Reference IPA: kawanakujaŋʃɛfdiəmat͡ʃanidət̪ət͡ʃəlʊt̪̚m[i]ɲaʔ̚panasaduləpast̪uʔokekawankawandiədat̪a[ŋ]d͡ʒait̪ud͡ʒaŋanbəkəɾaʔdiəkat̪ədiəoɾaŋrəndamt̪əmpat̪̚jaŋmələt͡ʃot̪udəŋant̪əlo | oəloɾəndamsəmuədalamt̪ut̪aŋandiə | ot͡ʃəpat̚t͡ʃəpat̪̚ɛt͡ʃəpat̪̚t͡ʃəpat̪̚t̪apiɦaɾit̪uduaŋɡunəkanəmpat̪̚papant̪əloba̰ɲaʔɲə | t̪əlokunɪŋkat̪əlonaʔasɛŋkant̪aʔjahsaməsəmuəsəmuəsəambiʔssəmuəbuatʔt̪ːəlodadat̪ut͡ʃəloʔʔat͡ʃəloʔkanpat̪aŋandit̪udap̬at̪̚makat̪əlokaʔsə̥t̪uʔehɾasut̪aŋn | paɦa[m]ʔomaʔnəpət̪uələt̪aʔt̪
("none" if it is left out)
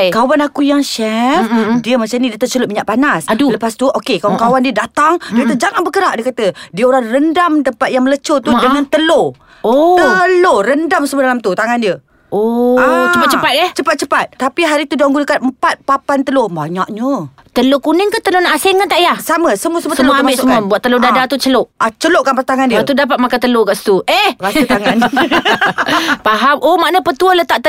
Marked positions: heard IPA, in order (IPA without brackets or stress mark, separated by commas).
i, ŋ, m